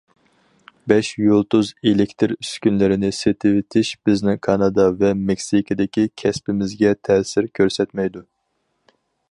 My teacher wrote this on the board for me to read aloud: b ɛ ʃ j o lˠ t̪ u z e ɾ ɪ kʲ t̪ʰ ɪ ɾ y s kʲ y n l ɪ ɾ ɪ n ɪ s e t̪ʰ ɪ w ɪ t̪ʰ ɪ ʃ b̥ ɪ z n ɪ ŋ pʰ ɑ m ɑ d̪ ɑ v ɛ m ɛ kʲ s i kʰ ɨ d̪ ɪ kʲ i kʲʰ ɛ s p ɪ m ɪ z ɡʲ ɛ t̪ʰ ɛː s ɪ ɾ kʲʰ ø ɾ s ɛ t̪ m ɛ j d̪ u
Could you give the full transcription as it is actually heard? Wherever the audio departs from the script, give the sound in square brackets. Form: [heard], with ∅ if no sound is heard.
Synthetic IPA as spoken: b ɛ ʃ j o lˠ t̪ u z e [l] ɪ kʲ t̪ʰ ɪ ɾ y s kʲ y n l ɪ ɾ ɪ n ɪ s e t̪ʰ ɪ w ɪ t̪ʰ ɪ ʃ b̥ ɪ z n ɪ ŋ [kʰ] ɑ [n] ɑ d̪ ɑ v ɛ m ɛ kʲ s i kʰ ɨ d̪ ɪ kʲ i kʲʰ ɛ s p ɪ m ɪ z ɡʲ ɛ t̪ʰ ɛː s ɪ ɾ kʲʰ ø ɾ s ɛ t̪ m ɛ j d̪ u